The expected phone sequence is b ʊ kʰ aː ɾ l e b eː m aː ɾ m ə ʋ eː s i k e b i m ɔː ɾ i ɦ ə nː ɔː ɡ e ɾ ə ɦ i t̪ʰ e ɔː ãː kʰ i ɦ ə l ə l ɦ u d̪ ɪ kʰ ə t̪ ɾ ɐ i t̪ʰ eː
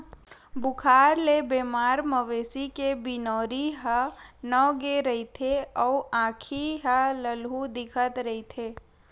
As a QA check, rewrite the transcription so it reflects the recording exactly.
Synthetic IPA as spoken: b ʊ kʰ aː ɾ l e b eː m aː ɾ m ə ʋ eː s i k e b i n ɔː ɾ i ɦ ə n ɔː ɡ e ɾ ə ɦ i t̪ʰ e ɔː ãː kʰ i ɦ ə l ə l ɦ u d̪ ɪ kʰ ə t̪ ɾ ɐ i t̪ʰ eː